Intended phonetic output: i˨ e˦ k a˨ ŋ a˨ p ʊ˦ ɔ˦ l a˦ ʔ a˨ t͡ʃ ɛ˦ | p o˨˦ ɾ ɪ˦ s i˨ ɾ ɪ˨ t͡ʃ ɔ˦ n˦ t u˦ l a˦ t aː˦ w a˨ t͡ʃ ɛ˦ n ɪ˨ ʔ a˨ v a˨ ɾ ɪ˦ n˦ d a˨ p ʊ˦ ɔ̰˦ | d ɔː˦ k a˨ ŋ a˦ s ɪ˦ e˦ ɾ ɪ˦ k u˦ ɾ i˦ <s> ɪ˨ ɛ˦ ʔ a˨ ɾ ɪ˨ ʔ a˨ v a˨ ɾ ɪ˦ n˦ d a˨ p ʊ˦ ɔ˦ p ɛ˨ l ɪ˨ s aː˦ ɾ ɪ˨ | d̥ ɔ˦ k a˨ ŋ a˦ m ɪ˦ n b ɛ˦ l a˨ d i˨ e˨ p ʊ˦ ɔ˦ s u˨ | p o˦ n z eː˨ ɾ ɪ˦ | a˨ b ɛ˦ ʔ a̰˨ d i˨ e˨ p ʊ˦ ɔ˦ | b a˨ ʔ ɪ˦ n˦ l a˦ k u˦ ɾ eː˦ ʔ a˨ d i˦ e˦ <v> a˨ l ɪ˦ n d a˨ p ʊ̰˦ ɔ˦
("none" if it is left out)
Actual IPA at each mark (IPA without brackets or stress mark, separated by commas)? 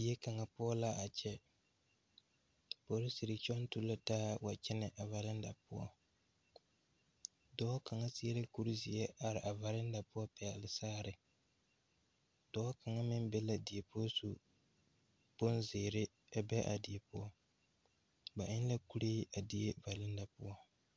z, v